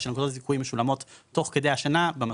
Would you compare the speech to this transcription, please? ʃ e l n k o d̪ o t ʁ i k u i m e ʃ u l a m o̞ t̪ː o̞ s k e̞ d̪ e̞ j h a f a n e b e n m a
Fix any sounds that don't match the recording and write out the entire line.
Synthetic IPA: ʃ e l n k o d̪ o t z i k u i m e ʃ u l a m o̞ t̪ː o̞ χ k e̞ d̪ e̞ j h a ʃ a n a b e m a